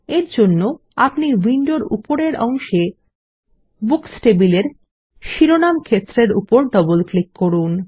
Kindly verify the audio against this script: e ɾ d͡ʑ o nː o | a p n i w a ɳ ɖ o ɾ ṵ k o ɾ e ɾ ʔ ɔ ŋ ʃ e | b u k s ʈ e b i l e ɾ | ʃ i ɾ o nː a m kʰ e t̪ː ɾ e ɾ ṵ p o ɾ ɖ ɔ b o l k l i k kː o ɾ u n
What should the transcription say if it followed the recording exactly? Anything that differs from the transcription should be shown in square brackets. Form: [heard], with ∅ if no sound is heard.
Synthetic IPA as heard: e ɾ d͡ʑ o nː o | a p n i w [i] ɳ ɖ o ɾ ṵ [p] o ɾ e ɾ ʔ ɔ ŋ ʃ e | b u k s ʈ e b i l e ɾ | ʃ i ɾ o [n] a m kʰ e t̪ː ɾ e ɾ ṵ p o ɾ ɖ ɔ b o l k l i k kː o ɾ u n

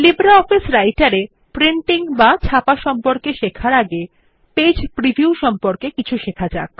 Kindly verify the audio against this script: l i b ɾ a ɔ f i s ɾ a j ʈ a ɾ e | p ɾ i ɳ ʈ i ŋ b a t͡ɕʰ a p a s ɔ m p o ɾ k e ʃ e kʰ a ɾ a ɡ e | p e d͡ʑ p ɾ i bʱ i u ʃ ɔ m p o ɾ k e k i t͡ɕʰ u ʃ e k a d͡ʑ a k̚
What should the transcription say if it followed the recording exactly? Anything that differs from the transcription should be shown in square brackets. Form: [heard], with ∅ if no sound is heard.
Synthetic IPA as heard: l i b ɾ a ɔ f i s ɾ a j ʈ a ɾ e | p ɾ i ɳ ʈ i ŋ b a t͡ɕʰ a p a [ʃ] ɔ m p o ɾ k e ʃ e kʰ a ɾ a ɡ e | p e d͡ʑ p ɾ i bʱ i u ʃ ɔ m p o ɾ k e k i t͡ɕʰ u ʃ e [kʰ] a d͡ʑ a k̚

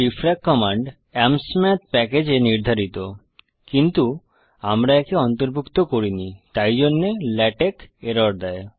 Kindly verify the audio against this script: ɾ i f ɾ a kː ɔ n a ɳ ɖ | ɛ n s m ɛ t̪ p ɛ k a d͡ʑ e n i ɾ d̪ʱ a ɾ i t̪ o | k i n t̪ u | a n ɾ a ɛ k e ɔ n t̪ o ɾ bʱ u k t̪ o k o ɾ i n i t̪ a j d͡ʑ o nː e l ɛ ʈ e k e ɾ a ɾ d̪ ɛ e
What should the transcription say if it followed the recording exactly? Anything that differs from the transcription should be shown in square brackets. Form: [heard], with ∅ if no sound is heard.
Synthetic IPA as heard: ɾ i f ɾ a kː ɔ [m] a ɳ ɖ | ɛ [m] s m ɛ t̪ p ɛ k [e] d͡ʑ e n i ɾ d̪ʱ a ɾ i t̪ o | k i n t̪ u | a [m] ɾ a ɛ k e ɔ n t̪ o ɾ bʱ u k t̪ o k o ɾ i n i t̪ a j d͡ʑ o nː e l ɛ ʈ e k e ɾ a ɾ d̪ ɛ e

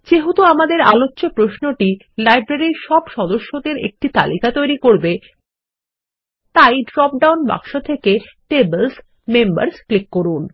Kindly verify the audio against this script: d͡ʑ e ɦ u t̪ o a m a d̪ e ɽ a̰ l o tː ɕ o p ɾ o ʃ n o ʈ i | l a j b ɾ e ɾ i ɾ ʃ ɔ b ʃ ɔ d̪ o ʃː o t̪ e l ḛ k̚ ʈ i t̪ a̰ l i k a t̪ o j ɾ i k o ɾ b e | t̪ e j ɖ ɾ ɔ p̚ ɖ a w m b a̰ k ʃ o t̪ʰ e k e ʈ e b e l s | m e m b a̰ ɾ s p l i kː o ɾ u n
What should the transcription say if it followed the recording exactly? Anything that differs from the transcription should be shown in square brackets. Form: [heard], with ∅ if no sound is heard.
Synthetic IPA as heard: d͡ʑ e ɦ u t̪ o a m a d̪ e [ɾ] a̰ l o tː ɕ o p ɾ o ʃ n o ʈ i | l a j b ɾ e ɾ i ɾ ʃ ɔ b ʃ ɔ d̪ o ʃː o [d̪] e [ɾ] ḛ k̚ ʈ i t̪ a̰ l i k a t̪ o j ɾ i k o ɾ b e | t̪ [a] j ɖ ɾ ɔ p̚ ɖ a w [n] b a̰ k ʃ o t̪ʰ e k e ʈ e b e l s | m e m b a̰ ɾ s [k] l i kː o ɾ u n

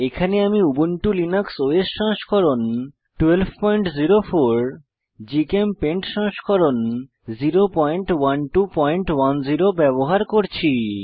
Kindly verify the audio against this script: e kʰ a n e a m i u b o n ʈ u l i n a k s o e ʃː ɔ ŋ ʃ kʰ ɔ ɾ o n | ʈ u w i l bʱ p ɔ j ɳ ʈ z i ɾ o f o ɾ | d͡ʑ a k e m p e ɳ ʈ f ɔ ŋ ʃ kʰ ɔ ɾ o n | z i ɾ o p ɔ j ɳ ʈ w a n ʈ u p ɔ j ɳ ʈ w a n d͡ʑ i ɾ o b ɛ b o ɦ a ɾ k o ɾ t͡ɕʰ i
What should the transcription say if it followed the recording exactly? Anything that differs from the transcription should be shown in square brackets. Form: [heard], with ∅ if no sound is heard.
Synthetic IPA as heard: e kʰ a n e a m i u b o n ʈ u l i n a k s o e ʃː ɔ ŋ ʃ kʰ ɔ ɾ o n | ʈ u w [e] l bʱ p ɔ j ɳ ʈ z i ɾ o f o ɾ | d͡ʑ [i] k e m p e ɳ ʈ [ʃ] ɔ ŋ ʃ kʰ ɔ ɾ o n | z i ɾ o p ɔ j ɳ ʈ w a n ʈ u p ɔ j ɳ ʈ w a n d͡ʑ i ɾ o b ɛ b o ɦ a ɾ k o ɾ t͡ɕʰ i

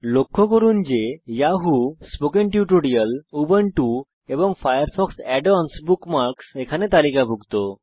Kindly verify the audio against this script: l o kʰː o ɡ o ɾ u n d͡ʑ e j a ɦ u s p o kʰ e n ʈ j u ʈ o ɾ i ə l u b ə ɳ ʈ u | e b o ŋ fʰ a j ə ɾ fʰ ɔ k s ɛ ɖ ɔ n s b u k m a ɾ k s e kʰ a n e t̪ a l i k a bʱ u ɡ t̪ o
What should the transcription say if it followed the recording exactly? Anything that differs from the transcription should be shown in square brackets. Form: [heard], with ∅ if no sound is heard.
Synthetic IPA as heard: l o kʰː o [k] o ɾ u n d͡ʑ e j a ɦ u s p o [k] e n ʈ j u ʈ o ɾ i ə l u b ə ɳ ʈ u | e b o ŋ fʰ a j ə ɾ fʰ ɔ k s ɛ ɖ ɔ n s b u k m a ɾ k s e kʰ a n e t̪ a l i k a bʱ u ɡ t̪ o

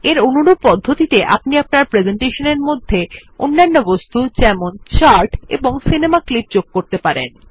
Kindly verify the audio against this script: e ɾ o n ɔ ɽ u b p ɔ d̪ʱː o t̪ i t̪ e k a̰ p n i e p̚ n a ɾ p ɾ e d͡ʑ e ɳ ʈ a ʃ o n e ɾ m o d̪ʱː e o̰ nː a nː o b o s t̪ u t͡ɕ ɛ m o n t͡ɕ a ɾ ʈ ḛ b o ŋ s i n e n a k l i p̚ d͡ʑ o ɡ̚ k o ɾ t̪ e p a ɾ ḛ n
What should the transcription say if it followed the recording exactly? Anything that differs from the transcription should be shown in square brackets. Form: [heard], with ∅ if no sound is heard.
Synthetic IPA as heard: e ɾ o n [u] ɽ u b p ɔ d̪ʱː o t̪ i t̪ e [ʔ] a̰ p n i [a] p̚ n a ɾ p ɾ e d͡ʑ e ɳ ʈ [e] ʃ o n e ɾ m o d̪ʱː e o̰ nː a nː o b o s t̪ u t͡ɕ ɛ m o n t͡ɕ a ɾ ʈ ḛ b o ŋ s i n e [m] a k l i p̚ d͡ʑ o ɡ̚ k o ɾ t̪ e p a ɾ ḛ n

